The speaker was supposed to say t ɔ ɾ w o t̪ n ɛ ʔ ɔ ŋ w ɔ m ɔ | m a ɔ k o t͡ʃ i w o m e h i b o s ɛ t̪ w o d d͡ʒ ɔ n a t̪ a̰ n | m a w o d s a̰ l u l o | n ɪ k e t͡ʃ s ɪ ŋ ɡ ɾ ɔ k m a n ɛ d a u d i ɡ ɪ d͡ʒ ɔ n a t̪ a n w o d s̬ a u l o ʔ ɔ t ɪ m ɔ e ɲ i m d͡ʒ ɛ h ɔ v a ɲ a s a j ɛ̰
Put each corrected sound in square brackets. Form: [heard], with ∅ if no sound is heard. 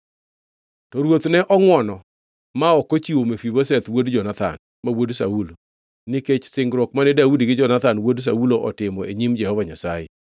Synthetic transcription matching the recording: t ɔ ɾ w o t̪ n ɛ ʔ ɔ ŋ w ɔ [n] ɔ | m a ɔ k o t͡ʃ i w o m e [f] i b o s ɛ t̪ w o d d͡ʒ ɔ n a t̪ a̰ n | m a w o d s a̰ [∅] u l o | n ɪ k e t͡ʃ s ɪ ŋ ɡ ɾ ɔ k m a n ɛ d a u d i ɡ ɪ d͡ʒ ɔ n a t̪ a n w o d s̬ a u l o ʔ ɔ t ɪ m ɔ e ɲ i m d͡ʒ ɛ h ɔ v a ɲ a s a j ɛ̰